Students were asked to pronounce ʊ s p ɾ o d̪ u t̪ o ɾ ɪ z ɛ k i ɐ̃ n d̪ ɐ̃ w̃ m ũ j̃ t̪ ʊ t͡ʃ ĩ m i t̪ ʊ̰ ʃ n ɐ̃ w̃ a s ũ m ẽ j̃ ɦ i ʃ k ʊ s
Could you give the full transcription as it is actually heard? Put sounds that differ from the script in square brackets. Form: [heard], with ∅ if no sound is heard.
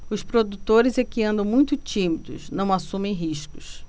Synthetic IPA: ʊ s p ɾ o d̪ u t̪ o ɾ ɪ z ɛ k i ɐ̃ n d̪ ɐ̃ w̃ m ũ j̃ t̪ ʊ t͡ʃ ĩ m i [d̪] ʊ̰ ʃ n ɐ̃ w̃ a s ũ m ẽ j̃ ɦ i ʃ k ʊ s